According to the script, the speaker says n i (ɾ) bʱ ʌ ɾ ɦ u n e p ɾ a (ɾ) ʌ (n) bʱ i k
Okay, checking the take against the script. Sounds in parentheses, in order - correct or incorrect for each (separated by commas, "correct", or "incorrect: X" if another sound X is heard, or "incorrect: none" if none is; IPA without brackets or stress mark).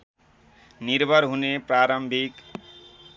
correct, correct, incorrect: m